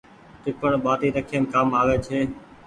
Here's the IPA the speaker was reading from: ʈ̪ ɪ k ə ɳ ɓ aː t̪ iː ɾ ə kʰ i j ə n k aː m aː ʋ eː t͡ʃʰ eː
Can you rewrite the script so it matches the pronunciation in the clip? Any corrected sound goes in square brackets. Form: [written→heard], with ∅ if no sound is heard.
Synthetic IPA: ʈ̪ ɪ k ə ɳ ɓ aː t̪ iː ɾ ə kʰ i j ə n k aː m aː ʋ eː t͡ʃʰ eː